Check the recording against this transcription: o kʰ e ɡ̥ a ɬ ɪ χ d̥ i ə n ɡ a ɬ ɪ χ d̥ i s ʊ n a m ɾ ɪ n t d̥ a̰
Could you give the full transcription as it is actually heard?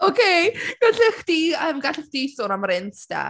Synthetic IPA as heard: o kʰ e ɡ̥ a ɬ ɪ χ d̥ i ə m ɡ a ɬ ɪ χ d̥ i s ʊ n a m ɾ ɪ n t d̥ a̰